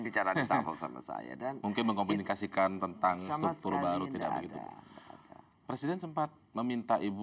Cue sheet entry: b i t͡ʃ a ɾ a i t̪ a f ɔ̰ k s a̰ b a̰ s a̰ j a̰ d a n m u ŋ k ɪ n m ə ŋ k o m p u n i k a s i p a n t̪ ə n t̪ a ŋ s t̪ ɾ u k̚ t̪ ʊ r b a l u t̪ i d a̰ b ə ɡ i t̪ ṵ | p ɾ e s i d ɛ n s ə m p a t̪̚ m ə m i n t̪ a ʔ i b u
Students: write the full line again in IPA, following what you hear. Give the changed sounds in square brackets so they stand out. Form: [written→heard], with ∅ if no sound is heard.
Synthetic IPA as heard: b i t͡ʃ a ɾ a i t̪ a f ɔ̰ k s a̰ [b→m] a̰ s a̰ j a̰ d a n m u ŋ k ɪ n m ə ŋ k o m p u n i k a s i [p→k] a n t̪ ə n t̪ a ŋ s t̪ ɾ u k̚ t̪ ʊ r b a [l→ɾ] u t̪ i d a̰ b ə ɡ i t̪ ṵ | p ɾ e s i d ɛ n s ə m p a t̪̚ m ə m i n t̪ a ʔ i b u